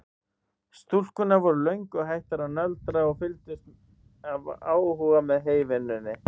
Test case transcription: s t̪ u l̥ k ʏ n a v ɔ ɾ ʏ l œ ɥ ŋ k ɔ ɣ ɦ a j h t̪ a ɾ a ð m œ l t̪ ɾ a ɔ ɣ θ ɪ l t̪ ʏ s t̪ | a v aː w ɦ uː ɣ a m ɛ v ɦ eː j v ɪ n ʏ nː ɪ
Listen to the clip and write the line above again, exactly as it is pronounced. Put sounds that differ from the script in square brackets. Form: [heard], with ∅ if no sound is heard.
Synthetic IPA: s t̪ u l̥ k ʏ n a v ɔ ɾ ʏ l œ ɥ ŋ k ɔ ɣ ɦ a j h t̪ a ɾ a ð [n] œ l t̪ ɾ a ɔ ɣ [f] ɪ l t̪ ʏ s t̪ | a v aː w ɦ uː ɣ a m ɛ [ð] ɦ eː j v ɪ n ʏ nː ɪ